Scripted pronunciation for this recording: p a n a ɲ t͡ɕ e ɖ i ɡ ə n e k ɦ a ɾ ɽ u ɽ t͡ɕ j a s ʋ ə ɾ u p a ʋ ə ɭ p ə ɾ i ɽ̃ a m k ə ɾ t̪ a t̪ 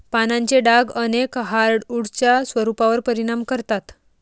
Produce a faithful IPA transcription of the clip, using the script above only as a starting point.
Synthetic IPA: p a n a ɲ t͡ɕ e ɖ a ɡ ə n e k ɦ a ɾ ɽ u ɽ t͡ɕ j a s ʋ ə ɾ u p a ʋ ə ɾ p ə ɾ i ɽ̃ a m k ə ɾ t̪ a t̪